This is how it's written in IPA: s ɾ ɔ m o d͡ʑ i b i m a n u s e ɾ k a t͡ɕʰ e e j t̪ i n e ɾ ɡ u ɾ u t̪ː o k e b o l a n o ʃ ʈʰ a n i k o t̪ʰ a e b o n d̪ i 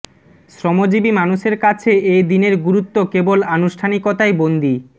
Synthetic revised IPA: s ɾ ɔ m o d͡ʑ i b i m a n u ʃ e ɾ k a t͡ɕʰ e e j d̪ i n e ɾ ɡ u ɾ u t̪ː o k e b o l a n u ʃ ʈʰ a n i k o t̪ a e b o n d̪ i